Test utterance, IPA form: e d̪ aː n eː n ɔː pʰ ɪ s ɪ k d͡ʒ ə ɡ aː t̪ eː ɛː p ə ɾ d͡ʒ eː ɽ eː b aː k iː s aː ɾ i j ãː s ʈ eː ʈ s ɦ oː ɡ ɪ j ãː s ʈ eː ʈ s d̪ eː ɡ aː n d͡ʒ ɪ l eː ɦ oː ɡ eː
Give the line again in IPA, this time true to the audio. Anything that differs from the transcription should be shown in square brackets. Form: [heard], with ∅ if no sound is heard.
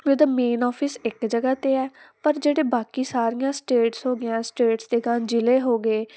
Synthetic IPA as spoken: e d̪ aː [m] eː n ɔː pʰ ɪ s ɪ k d͡ʒ ə ɡ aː t̪ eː ɛː p ə ɾ d͡ʒ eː ɽ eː b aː k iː s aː ɾ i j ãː s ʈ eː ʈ s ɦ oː ɡ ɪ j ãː s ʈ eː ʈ s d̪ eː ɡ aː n d͡ʒ ɪ l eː ɦ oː ɡ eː